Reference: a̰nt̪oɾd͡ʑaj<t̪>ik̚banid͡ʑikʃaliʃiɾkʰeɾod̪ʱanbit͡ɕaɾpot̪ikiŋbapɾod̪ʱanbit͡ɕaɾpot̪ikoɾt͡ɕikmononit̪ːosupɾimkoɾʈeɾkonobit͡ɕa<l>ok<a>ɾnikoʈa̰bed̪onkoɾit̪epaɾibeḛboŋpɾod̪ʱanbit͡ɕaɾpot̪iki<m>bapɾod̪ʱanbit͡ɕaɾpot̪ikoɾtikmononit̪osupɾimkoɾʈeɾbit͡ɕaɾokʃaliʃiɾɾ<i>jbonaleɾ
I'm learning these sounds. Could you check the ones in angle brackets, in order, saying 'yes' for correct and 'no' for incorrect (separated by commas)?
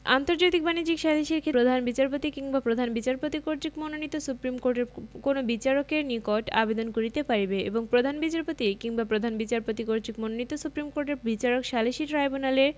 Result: yes, no, no, no, no